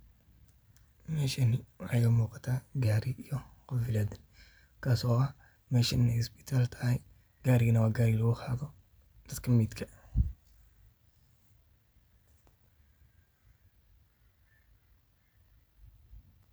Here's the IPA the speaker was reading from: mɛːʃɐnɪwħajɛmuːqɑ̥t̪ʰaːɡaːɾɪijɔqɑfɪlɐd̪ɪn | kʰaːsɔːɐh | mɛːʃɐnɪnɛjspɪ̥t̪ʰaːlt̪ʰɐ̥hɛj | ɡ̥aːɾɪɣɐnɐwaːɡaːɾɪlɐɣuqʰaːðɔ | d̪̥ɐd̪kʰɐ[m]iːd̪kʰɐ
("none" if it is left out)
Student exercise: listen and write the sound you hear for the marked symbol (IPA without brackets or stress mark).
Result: m